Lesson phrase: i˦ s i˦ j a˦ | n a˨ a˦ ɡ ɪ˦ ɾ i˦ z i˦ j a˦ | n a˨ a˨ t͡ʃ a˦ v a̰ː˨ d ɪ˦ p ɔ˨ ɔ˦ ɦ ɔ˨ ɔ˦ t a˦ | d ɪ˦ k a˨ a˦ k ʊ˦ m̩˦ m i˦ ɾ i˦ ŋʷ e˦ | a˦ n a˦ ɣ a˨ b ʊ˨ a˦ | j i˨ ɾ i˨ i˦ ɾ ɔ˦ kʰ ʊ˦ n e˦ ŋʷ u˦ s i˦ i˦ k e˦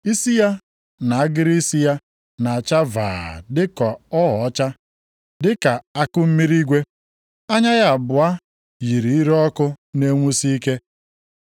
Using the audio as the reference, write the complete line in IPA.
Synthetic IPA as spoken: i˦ s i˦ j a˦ | n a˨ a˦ ɡ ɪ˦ ɾ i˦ s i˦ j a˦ | n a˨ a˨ t͡ʃ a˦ v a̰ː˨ d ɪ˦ k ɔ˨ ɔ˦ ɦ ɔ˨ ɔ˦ t͡ʃ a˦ | d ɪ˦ k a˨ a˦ k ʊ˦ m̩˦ m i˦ ɾ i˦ ɡʷ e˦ | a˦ ɲ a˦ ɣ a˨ b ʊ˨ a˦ | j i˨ ɾ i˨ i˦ ɾ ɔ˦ k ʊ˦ n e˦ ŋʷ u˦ s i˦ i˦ k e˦